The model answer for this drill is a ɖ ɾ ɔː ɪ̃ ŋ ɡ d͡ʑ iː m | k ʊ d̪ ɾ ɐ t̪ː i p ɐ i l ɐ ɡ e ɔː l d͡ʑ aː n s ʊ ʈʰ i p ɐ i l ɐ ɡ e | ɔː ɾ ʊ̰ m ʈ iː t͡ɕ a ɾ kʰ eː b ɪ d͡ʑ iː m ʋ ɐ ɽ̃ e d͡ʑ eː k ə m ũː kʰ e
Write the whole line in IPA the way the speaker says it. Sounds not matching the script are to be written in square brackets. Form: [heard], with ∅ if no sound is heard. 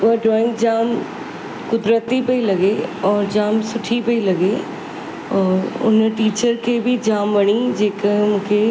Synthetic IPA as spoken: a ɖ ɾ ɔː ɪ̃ ŋ ɡ d͡ʑ [aː] m | k ʊ d̪ ɾ [ə] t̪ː i p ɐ i l ɐ ɡ e ɔː [ɾ] d͡ʑ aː [m] s ʊ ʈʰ i p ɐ i l ɐ ɡ e | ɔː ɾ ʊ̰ [n] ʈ iː t͡ɕ [ə] ɾ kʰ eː b ɪ d͡ʑ [aː] m ʋ ɐ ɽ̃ [i] d͡ʑ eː k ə m ũː kʰ e

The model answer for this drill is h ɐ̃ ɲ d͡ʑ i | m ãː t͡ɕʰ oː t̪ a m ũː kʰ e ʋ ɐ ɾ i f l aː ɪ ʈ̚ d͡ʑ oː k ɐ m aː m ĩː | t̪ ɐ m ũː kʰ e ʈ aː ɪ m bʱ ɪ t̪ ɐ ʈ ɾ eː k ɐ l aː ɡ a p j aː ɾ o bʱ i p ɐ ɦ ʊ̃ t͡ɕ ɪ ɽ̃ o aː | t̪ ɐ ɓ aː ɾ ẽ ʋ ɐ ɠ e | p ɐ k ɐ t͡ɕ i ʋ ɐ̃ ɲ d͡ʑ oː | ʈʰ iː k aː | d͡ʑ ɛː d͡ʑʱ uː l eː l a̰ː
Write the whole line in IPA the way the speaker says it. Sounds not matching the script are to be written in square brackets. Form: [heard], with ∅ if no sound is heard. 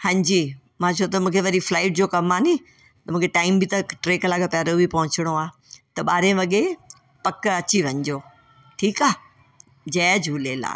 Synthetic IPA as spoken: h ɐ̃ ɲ d͡ʑ i | m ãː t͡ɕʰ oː t̪ [ɐ] m ũː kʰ e ʋ ɐ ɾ i f l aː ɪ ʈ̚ d͡ʑ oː k ɐ m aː [n] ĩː | t̪ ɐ m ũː kʰ e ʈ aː ɪ m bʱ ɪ t̪ ɐ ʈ ɾ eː k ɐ l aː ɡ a p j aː ɾ o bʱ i p ɐ ɦ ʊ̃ t͡ɕ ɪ ɽ̃ o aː | t̪ ɐ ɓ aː ɾ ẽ ʋ ɐ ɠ e | p ɐ k ɐ t͡ɕ i ʋ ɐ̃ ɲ d͡ʑ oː | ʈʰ iː k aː | d͡ʑ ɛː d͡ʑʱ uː l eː l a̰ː

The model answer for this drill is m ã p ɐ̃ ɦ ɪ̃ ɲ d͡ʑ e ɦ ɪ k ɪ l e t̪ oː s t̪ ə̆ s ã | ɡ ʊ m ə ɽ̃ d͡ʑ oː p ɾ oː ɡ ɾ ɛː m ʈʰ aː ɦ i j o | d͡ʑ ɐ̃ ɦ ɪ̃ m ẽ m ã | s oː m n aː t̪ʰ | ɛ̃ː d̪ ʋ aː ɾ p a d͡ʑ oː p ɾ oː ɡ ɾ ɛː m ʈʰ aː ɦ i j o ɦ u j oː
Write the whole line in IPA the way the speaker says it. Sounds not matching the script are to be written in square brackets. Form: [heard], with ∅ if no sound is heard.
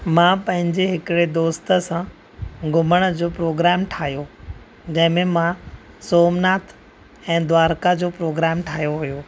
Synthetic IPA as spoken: m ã p ɐ̃ ɦ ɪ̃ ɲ d͡ʑ e ɦ ɪ k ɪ [ɽ] e [d̪] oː s t̪ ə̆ s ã | ɡ ʊ m ə ɽ̃ d͡ʑ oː p ɾ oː ɡ ɾ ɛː m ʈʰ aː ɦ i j o | d͡ʑ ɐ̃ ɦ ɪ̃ m ẽ m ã | s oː m n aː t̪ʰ | ɛ̃ː d̪ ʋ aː ɾ [k] a d͡ʑ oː p ɾ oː ɡ ɾ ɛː m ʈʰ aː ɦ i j o ɦ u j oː

